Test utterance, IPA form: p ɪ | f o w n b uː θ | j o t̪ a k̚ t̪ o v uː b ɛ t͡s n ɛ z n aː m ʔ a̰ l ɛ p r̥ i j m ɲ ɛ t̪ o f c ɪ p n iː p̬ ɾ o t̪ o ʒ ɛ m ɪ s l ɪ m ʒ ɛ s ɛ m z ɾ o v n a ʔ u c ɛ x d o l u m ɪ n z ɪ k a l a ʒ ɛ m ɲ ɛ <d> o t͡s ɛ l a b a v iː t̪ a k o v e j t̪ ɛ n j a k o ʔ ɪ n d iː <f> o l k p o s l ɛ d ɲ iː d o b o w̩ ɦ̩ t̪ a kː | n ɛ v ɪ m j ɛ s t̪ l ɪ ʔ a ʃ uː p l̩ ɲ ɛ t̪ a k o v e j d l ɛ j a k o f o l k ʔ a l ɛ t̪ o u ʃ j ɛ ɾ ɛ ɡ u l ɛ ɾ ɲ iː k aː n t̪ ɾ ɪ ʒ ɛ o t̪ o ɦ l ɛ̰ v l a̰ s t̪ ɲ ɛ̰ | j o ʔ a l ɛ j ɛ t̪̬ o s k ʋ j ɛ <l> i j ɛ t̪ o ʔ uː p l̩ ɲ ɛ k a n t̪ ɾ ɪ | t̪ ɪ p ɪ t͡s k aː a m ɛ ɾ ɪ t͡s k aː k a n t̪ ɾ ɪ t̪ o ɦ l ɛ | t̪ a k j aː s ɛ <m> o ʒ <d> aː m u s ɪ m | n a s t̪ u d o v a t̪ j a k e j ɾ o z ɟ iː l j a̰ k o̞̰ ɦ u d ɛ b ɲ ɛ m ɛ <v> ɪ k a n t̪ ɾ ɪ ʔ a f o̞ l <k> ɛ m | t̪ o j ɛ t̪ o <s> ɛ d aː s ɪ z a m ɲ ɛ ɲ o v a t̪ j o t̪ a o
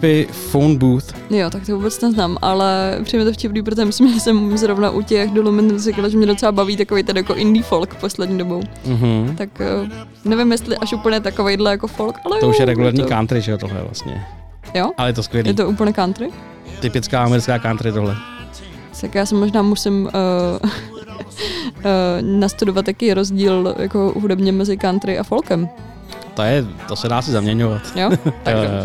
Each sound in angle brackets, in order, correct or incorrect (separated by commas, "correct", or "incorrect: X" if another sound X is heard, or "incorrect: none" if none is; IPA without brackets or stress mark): correct, correct, correct, correct, incorrect: n, incorrect: z, correct, correct